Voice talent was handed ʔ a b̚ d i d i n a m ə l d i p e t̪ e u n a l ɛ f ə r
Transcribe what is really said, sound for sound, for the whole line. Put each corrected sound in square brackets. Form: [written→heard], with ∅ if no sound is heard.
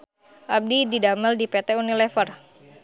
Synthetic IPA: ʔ a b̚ d i d i [n→d] a m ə l d i p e t̪ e u n [a→i] l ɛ f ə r